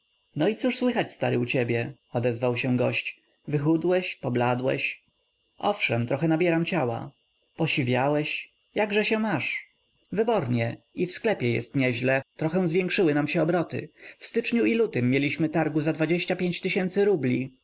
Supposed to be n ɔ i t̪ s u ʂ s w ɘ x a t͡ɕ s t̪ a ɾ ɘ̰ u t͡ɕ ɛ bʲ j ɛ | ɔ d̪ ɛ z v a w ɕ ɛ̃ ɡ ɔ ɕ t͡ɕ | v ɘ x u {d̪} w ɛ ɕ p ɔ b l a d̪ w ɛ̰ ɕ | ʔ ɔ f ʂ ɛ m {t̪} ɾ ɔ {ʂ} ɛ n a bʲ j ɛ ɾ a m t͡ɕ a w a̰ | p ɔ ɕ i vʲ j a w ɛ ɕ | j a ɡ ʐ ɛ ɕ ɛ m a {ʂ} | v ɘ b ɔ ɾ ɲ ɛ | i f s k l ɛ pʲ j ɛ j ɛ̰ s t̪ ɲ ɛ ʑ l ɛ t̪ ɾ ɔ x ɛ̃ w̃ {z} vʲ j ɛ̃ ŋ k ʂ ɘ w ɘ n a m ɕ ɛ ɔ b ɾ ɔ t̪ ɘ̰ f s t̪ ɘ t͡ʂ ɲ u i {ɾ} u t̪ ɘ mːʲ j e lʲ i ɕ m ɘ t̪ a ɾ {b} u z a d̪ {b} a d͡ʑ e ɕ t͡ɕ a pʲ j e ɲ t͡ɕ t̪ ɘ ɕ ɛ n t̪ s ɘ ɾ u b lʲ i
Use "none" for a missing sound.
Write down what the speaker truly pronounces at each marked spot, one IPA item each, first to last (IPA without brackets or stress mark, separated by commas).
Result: d̪, t̪, x, ʂ, z, l, ɡ, v